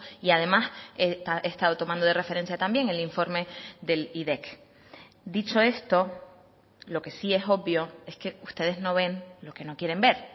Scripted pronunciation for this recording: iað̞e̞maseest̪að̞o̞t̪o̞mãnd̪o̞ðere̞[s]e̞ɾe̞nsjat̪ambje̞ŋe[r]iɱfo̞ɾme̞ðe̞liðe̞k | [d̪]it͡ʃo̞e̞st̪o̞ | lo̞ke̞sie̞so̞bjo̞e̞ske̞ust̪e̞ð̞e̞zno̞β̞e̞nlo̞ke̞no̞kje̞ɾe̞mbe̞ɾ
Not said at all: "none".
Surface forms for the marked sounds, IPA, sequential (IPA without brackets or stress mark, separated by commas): f, l, d̪